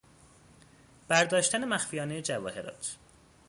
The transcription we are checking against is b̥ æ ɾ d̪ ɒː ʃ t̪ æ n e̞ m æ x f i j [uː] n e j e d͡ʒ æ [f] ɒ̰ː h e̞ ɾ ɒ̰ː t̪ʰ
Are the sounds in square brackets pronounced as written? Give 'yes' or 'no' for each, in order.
no, no

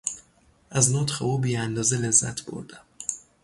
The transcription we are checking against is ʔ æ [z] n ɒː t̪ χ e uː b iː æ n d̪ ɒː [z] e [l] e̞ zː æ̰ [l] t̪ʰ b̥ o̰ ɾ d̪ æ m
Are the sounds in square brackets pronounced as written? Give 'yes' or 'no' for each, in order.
yes, yes, yes, no

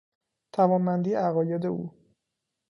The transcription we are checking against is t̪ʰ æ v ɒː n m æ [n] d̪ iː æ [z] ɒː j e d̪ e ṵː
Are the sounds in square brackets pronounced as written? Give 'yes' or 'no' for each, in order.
yes, no

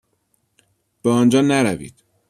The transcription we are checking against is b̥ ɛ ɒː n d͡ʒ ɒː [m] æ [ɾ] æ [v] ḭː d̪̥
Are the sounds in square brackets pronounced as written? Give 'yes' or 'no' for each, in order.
no, yes, yes

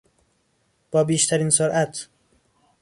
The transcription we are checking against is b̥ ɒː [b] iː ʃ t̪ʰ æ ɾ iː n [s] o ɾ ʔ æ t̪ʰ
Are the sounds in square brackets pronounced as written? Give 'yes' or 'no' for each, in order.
yes, yes

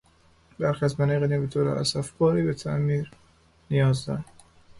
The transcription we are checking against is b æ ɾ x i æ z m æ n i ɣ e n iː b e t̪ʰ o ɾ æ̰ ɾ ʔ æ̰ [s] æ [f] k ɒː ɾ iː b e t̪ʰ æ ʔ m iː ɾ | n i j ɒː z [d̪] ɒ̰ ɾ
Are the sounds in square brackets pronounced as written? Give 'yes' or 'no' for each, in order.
yes, yes, yes

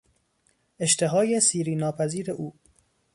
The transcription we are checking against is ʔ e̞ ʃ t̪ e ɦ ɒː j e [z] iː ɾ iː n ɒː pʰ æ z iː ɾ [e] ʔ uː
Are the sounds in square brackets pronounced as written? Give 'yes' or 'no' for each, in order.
no, yes

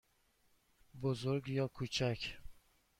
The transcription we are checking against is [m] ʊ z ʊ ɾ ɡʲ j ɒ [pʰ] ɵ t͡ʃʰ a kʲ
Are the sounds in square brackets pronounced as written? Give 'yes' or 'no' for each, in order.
no, no

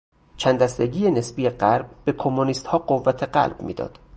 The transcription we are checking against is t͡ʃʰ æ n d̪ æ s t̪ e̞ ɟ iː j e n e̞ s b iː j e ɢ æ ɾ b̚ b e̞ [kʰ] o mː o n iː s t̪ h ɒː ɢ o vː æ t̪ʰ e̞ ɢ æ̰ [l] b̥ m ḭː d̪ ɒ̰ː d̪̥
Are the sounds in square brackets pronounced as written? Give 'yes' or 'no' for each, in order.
yes, yes

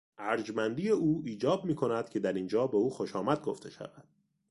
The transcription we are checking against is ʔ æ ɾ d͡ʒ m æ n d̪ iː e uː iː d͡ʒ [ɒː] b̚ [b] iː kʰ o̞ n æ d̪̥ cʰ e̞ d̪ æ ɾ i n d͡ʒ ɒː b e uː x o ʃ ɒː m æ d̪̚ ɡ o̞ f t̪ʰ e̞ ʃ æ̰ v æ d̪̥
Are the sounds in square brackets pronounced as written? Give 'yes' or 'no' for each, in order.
yes, no

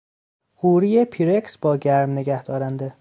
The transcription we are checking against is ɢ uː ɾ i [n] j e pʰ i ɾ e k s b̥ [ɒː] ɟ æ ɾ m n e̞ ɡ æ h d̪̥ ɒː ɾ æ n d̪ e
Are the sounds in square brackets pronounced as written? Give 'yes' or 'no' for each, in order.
no, yes

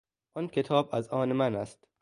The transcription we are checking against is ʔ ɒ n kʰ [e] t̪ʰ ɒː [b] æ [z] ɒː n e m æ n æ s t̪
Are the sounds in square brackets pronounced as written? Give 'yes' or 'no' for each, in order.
yes, yes, yes

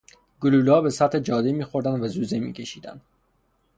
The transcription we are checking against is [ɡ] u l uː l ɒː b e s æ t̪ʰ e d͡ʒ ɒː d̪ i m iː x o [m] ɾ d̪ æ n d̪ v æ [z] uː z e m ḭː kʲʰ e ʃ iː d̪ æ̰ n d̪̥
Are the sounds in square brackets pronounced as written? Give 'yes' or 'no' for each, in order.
yes, no, yes

